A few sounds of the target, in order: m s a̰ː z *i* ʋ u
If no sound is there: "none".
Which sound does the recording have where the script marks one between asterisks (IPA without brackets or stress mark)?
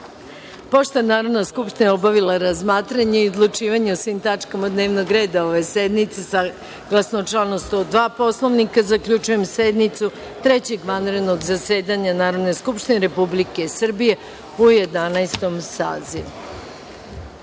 i